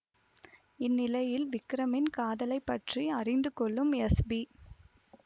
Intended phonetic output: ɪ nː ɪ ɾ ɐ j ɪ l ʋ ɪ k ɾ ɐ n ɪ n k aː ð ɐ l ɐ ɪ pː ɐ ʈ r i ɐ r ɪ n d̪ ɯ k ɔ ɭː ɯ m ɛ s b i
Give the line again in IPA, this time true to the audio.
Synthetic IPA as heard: ɪ nː ɪ l ɐ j ɪ l ʋ ɪ k ɾ ɐ m ɪ n k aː ð ɐ l ɐ ɪ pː ɐ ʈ r i ɐ r ɪ n d̪ ɯ k ɔ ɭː ɯ m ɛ s b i

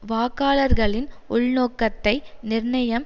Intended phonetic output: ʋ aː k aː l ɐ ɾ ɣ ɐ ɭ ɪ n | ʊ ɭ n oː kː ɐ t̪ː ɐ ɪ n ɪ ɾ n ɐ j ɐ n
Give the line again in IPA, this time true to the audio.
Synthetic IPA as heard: ʋ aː k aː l ɐ ɾ ɣ ɐ ɭ ɪ n | ʊ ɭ n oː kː ɐ t̪ː ɐ ɪ n ɪ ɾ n ɐ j ɐ m

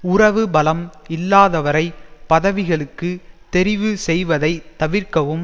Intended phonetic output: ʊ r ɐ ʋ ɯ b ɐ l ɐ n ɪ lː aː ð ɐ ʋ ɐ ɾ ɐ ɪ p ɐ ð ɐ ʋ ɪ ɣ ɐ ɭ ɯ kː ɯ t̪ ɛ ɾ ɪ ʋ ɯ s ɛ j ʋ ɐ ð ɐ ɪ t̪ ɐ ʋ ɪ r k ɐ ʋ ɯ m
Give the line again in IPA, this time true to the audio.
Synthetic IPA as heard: ʊ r ɐ ʋ ɯ b ɐ l ɐ m ɪ lː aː ð ɐ ʋ ɐ ɾ ɐ ɪ p ɐ ð ɐ ʋ ɪ ɣ ɐ ɭ ɯ kː ɯ t̪ ɛ ɾ ɪ ʋ ɯ s ɛ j ʋ ɐ ð ɐ ɪ t̪ ɐ ʋ ɪ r k ɐ ʋ ɯ m

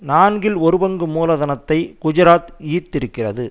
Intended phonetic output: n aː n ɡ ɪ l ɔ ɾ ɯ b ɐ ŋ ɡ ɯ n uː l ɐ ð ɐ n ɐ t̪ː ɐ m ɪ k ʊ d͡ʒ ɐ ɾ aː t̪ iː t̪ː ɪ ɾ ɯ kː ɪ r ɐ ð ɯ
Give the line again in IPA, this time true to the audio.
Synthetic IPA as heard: n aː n ɡ ɪ l ɔ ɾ ɯ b ɐ ŋ ɡ ɯ m uː l ɐ ð ɐ n ɐ t̪ː ɐ ɪ k ʊ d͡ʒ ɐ ɾ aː t̪ iː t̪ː ɪ ɾ ɯ kː ɪ r ɐ ð ɯ

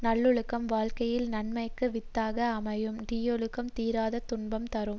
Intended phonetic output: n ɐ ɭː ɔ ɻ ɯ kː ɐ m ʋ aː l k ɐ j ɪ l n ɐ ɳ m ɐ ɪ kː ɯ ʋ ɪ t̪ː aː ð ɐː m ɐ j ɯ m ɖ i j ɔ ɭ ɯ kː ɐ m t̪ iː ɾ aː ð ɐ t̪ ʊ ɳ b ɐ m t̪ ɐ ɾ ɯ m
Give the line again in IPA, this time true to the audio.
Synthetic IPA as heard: n ɐ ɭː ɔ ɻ ɯ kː ɐ m ʋ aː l k ɐ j ɪ l n ɐ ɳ m ɐ ɪ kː ɯ ʋ ɪ t̪ː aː ɣ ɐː m ɐ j ɯ m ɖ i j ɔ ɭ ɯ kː ɐ m t̪ iː ɾ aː ð ɐ t̪ ʊ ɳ b ɐ m t̪ ɐ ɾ ɯ m

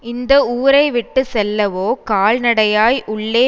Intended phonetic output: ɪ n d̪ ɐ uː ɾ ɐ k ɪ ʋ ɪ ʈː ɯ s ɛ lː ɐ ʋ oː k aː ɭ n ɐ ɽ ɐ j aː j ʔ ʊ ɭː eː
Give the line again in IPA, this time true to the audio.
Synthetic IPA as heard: ɪ n d̪ ɐ uː ɾ ɐ ɪ ʋ ɪ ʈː ɯ s ɛ lː ɐ ʋ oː k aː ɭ n ɐ ɽ ɐ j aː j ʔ ʊ ɭː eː

